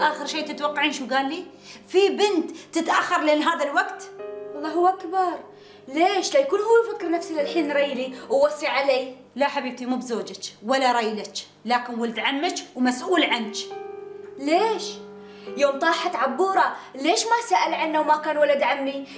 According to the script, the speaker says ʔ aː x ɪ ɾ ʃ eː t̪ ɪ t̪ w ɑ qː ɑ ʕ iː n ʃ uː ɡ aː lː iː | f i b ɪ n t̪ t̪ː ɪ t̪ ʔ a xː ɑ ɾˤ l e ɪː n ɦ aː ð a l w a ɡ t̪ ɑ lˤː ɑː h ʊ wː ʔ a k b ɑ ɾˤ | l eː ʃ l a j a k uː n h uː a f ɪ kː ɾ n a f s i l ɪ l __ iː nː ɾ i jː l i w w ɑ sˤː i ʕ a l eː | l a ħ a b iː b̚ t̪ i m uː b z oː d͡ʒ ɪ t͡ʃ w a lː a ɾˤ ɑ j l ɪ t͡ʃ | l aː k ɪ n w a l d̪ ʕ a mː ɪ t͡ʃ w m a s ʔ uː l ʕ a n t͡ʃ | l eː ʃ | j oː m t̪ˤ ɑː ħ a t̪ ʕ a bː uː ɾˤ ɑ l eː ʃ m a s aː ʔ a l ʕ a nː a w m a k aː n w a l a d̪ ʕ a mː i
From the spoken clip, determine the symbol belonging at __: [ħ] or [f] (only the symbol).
ħ